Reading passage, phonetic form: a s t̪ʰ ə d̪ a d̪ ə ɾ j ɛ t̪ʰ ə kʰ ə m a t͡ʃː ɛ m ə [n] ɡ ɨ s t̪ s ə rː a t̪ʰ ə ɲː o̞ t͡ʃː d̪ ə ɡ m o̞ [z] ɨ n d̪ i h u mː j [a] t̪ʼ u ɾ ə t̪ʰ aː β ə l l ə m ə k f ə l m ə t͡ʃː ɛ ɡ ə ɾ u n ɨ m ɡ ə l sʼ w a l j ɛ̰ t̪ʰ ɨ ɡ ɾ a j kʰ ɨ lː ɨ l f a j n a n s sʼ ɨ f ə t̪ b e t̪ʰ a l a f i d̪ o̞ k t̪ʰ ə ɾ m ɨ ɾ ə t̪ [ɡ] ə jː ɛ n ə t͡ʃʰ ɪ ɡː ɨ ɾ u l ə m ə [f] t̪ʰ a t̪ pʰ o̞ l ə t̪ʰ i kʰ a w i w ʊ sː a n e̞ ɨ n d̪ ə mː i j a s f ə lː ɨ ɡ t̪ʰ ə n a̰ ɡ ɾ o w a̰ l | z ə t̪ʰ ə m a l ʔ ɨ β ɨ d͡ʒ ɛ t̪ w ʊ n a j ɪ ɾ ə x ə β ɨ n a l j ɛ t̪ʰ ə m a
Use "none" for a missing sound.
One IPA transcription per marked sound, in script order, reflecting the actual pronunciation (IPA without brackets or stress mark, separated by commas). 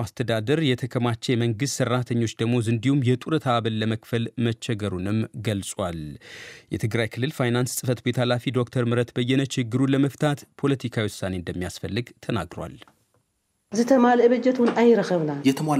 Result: ŋ, z, ɛ, b, f